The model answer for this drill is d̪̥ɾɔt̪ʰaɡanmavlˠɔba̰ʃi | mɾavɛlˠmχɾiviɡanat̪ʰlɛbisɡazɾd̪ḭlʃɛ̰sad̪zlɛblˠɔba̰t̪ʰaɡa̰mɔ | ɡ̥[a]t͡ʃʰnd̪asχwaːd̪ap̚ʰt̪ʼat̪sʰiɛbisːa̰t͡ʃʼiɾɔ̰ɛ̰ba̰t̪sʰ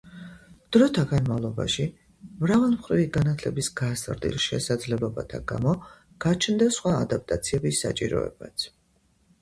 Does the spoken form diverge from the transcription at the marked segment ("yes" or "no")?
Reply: no